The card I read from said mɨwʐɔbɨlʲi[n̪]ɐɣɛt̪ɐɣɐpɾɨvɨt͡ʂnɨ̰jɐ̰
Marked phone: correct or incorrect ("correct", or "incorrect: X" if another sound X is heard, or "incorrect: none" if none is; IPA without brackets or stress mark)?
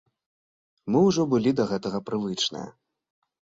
incorrect: d̪